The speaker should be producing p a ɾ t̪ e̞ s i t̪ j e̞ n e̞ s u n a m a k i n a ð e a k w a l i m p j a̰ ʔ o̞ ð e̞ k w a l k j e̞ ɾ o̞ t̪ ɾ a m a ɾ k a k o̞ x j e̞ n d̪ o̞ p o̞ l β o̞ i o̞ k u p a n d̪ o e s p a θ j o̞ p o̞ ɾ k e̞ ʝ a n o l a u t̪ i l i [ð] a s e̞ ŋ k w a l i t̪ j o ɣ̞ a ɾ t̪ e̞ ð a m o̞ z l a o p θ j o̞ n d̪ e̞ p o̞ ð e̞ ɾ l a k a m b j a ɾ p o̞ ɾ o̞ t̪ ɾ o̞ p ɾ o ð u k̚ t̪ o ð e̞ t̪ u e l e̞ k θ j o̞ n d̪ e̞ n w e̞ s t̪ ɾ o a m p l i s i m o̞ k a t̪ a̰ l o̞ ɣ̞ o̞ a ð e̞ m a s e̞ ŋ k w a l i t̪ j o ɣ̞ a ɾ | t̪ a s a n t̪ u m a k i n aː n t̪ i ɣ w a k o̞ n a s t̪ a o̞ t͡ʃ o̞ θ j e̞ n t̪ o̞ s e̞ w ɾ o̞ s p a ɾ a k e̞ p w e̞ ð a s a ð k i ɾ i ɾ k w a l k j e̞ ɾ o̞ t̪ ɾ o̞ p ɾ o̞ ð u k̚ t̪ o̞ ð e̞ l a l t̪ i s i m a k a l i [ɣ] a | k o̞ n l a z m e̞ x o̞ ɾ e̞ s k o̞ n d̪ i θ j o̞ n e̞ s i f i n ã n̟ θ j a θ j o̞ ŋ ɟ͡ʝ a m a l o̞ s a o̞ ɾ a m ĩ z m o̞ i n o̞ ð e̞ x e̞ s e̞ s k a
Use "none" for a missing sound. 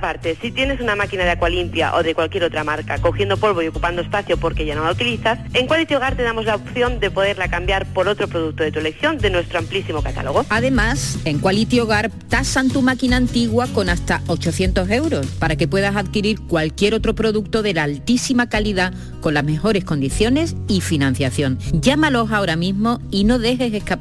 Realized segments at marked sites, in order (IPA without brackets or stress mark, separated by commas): θ, ð